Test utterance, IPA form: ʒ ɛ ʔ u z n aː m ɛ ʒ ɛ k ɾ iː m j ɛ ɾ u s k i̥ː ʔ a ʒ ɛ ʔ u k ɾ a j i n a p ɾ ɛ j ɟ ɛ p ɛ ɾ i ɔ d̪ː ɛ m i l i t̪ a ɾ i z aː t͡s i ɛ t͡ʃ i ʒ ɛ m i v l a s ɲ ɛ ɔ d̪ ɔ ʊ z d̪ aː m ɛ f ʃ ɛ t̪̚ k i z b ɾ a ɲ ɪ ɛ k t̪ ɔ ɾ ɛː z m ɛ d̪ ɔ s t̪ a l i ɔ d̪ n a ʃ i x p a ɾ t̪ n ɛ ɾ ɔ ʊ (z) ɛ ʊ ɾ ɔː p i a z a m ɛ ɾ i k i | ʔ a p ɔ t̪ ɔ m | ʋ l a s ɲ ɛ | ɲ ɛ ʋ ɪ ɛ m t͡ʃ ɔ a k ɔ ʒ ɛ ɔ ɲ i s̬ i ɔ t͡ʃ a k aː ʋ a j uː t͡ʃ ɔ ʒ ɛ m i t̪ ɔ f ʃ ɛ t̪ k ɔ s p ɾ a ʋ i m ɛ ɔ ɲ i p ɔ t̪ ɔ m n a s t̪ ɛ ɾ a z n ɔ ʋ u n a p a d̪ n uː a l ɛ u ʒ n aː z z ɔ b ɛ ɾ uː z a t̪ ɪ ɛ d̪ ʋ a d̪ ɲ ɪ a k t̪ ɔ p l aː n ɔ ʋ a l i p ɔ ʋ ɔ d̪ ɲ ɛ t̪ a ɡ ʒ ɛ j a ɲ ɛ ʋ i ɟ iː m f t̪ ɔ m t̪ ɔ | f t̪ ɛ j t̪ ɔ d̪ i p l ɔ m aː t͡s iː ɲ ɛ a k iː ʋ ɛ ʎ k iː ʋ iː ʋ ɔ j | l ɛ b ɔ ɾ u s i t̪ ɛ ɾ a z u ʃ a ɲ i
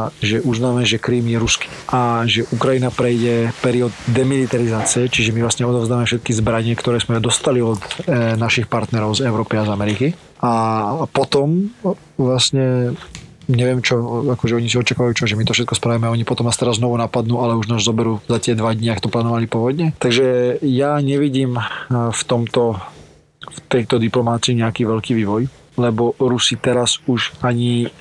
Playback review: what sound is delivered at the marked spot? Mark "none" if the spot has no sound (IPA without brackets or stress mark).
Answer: z